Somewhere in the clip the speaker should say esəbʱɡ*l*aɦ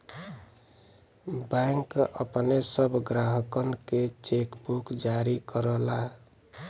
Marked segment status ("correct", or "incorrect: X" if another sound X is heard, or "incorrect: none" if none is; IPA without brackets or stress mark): incorrect: ɾ